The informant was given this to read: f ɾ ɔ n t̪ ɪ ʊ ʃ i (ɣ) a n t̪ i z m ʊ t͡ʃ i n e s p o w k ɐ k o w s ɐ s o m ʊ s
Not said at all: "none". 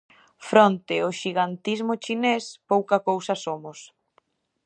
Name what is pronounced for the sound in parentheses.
ɣ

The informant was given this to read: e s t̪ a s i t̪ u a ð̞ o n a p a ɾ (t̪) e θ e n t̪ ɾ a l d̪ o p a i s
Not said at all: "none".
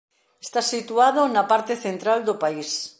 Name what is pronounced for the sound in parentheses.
t̪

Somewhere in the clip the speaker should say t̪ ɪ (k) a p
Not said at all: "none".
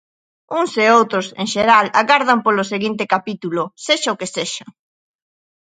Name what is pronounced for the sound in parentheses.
k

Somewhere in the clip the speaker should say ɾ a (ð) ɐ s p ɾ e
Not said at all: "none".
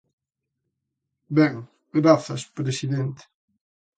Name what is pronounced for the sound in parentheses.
θ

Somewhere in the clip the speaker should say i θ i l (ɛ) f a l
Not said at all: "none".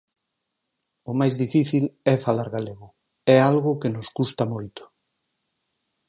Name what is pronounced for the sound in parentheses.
ɛ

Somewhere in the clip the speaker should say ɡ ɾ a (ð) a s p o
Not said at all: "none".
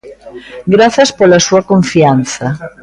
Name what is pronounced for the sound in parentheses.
θ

